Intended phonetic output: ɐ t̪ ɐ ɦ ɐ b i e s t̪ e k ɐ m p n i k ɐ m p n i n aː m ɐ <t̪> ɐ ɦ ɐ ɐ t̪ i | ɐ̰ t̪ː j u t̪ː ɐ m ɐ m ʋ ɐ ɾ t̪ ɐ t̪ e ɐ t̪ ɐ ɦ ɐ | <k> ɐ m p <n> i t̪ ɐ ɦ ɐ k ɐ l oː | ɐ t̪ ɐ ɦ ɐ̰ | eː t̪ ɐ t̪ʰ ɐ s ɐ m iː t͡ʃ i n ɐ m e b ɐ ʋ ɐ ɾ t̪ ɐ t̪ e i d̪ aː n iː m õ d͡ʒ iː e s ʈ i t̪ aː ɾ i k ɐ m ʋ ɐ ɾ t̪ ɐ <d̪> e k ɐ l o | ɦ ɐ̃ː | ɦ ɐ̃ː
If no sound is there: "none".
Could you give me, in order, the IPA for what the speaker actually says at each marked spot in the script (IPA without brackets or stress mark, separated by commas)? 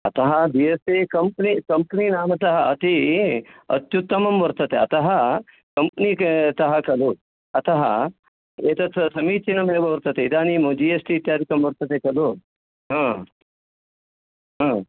t̪, k, n, t̪